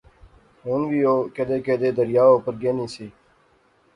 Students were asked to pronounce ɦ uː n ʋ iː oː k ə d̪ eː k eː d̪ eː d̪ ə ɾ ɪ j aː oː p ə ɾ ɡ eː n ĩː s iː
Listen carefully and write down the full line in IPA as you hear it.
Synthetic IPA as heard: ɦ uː n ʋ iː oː k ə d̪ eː k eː d̪ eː d̪ ə ɾ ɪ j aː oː p ə ɾ ɡ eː n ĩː s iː